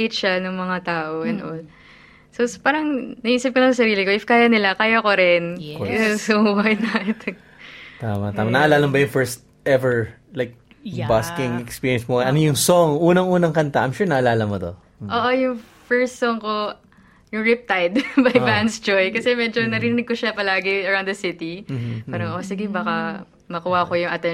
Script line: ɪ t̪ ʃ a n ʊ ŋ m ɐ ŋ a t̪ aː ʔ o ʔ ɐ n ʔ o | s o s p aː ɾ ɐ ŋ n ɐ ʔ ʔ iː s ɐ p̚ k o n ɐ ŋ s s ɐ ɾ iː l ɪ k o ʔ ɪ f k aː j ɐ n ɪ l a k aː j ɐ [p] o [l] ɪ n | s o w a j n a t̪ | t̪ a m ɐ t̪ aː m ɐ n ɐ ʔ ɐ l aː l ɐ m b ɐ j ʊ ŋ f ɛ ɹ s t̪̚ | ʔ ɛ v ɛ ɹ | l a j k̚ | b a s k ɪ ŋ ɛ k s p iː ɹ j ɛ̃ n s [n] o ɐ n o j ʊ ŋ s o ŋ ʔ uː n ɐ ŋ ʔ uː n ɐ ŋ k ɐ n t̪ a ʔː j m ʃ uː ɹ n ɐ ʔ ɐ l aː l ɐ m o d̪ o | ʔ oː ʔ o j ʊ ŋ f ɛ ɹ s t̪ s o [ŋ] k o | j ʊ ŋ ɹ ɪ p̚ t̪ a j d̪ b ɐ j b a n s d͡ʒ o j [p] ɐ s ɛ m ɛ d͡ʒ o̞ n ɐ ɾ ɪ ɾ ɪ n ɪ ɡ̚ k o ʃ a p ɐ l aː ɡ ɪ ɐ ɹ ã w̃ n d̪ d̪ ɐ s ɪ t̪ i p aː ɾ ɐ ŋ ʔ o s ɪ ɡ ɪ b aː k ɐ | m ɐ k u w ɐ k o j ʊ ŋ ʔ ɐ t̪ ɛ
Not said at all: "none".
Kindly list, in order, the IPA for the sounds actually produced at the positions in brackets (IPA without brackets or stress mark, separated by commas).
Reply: k, ɾ, m, ŋ, k